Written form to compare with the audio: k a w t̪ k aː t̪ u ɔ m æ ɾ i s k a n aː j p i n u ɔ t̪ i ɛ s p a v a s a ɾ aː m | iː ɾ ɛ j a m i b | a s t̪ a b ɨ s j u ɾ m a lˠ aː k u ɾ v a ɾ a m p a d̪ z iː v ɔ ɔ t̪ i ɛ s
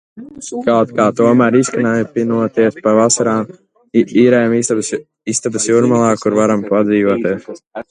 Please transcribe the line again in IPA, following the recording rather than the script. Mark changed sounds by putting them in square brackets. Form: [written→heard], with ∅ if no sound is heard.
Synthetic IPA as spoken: k a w t̪ k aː t̪ u ɔ m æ ɾ i s k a n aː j p i n u ɔ t̪ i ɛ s p a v a s a ɾ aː m | iː ɾ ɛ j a m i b | [a→i] s t̪ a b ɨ s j u ɾ m a lˠ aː k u ɾ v a ɾ a m p a d̪ z iː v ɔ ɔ t̪ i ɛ s